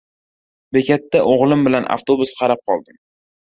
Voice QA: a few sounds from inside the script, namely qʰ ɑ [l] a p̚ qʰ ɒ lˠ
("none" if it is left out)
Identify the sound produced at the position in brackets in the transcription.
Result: ɾ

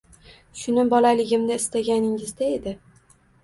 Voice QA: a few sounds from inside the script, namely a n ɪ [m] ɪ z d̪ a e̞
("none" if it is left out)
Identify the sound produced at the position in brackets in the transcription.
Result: ŋ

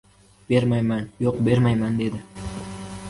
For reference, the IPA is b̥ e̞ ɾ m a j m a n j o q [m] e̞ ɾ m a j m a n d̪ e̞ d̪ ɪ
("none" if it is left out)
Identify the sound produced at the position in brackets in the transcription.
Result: b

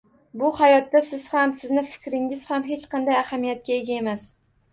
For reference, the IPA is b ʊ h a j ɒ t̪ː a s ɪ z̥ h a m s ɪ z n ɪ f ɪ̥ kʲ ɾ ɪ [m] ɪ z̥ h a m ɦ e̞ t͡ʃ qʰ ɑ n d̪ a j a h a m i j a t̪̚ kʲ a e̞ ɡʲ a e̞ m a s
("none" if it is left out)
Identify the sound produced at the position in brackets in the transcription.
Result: ŋ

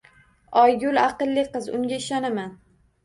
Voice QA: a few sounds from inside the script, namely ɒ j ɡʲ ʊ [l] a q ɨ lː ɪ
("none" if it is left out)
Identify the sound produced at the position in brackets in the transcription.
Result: l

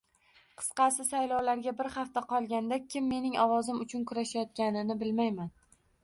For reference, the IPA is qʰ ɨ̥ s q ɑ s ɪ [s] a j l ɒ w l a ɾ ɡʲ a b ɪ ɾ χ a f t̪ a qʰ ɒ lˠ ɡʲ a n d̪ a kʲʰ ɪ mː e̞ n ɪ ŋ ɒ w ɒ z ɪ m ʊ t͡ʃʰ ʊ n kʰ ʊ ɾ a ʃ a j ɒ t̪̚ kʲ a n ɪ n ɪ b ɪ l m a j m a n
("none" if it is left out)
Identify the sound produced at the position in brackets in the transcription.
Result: s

